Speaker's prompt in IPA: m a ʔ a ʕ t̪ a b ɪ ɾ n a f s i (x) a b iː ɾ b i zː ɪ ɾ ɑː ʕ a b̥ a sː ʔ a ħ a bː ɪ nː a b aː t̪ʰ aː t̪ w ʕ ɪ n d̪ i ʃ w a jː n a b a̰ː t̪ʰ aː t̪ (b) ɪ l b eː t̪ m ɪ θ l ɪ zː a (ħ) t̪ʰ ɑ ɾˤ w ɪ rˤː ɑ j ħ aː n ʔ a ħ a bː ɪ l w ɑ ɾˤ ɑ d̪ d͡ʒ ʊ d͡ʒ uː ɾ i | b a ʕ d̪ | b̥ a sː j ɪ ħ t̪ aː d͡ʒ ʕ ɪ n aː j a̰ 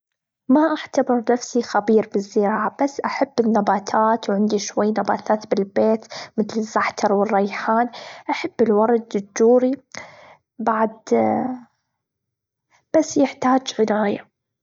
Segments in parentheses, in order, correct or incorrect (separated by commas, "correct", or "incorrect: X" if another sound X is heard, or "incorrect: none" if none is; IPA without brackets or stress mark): correct, correct, correct